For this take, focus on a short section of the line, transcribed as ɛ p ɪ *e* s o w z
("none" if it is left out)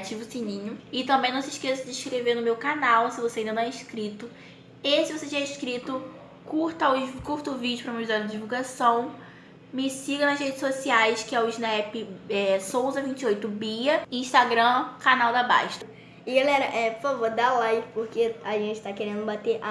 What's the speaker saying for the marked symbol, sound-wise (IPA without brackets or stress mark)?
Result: ɛ